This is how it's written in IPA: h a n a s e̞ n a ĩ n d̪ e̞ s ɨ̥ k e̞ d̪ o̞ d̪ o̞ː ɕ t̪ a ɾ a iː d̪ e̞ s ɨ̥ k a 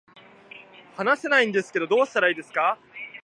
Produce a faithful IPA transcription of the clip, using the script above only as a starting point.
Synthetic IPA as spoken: h a n a s e̞ n a ĩ n d̪ e̞ s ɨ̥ k e̞ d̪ o̞ d̪ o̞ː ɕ t̪ a ɾ a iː d̪ e̞ s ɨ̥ k a